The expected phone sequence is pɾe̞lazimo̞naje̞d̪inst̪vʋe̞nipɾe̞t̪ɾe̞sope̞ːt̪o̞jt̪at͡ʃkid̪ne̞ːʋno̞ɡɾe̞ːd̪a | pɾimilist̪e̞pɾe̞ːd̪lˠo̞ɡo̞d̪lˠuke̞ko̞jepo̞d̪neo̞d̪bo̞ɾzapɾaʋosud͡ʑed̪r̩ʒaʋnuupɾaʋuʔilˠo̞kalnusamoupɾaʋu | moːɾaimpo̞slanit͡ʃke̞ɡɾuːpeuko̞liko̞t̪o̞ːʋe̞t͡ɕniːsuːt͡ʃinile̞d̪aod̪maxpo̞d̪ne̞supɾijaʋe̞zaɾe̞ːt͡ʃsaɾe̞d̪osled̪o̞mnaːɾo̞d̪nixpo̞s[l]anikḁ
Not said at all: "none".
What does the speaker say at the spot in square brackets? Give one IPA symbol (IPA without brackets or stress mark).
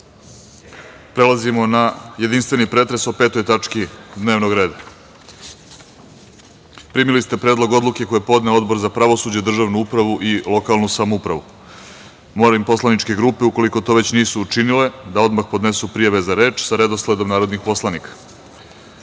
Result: l